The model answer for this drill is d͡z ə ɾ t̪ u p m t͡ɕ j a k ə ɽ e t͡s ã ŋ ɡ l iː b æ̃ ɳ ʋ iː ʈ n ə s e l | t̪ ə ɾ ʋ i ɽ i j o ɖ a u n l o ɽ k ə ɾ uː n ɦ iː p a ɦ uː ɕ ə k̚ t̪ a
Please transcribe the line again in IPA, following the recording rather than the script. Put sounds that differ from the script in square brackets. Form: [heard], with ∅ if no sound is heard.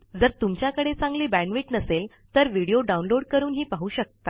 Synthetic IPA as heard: d͡z ə ɾ t̪ u [∅] m t͡ɕ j a k ə ɽ e t͡s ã ŋ ɡ l iː b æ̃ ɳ ʋ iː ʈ n ə s e l | t̪ ə ɾ ʋ i ɽ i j o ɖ a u n l o ɽ k ə ɾ uː n ɦ iː p a ɦ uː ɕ ə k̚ t̪ a

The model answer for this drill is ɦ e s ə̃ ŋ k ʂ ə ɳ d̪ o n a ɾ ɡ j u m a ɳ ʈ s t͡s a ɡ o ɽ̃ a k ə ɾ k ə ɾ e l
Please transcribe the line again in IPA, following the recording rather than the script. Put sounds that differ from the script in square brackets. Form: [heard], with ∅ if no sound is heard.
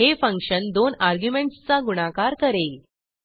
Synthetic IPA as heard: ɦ e [f] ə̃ ŋ k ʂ ə [n] d̪ o n a ɾ ɡ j u m [e] ɳ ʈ s t͡s a ɡ [u] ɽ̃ a k [a] ɾ k ə ɾ e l

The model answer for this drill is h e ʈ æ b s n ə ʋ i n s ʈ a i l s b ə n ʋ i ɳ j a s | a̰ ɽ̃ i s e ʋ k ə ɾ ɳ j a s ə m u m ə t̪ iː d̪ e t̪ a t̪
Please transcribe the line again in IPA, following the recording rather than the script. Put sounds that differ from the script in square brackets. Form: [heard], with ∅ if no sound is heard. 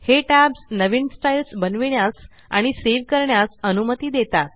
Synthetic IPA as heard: h e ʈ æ b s n ə ʋ i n s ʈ a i l s b ə n ʋ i ɳ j a s | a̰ ɽ̃ i s e ʋ k ə ɾ ɳ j a s ə [n] u m ə t̪ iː d̪ e t̪ a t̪

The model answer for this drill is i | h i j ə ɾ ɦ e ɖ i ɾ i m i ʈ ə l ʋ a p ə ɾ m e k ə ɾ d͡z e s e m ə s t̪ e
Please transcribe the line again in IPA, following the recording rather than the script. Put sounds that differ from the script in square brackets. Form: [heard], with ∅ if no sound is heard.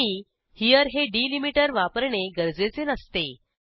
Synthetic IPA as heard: i | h i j ə ɾ ɦ e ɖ i [l] i m i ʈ ə [ɾ] ʋ a p ə ɾ [ɳ] e [ɡ] ə ɾ d͡z e [t͡s] e [n] ə s t̪ e

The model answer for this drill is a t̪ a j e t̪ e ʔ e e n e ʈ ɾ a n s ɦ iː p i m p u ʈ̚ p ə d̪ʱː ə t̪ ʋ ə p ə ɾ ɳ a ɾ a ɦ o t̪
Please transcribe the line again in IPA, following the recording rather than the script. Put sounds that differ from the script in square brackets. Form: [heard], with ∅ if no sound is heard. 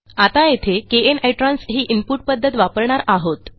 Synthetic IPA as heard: a t̪ a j e [t̪ʰ] e [k] e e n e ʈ ɾ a n s ɦ iː [ʔ] i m p u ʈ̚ p ə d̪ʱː ə t̪ ʋ [a] p ə ɾ ɳ a ɾ a ɦ o t̪

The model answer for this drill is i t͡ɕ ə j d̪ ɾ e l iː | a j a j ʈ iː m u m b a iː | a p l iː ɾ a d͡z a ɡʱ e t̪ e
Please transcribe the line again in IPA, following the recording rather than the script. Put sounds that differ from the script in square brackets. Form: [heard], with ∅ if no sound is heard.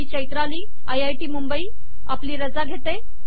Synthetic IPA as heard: i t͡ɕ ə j [t̪] ɾ [a] l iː | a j a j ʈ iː m u m b [ə] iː | a p l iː ɾ [ə] d͡z a ɡʱ e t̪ e

